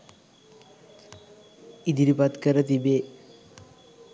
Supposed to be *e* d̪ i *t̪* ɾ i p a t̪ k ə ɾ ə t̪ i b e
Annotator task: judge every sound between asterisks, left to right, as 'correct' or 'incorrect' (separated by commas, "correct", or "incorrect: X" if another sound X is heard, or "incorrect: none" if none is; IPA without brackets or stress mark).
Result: incorrect: i, incorrect: none